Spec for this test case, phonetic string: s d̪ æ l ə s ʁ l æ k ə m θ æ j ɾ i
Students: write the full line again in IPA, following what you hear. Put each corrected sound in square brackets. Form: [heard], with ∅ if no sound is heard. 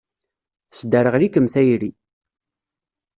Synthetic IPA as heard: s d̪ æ [ɾ] ə [∅] ʁ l [i] k ə m θ æ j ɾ i